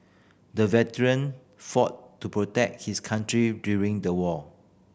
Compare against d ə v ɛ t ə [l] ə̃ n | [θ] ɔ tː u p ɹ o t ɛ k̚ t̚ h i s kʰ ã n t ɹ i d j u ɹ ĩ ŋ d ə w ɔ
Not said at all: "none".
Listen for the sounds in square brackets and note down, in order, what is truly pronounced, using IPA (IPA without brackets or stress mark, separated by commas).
ɹ, f